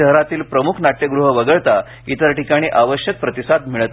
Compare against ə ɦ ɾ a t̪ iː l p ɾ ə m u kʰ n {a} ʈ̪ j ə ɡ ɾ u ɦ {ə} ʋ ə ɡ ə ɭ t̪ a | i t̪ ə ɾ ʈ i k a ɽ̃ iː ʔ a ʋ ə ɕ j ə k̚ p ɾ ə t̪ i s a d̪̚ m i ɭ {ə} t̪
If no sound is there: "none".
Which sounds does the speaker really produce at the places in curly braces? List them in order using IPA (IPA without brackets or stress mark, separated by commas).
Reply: a, ə, ə